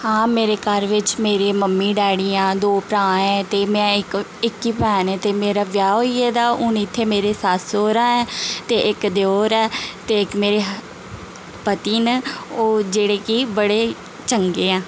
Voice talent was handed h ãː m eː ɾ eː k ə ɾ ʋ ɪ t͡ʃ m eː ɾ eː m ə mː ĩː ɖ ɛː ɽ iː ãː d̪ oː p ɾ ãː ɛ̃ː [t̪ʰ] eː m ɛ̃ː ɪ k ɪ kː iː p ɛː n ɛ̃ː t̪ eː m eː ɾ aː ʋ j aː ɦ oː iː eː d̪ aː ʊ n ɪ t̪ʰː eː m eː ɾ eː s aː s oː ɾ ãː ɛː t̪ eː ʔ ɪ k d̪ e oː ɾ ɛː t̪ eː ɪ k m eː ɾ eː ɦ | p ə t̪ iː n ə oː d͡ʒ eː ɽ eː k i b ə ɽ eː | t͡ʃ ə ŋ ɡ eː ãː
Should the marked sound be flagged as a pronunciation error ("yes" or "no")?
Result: yes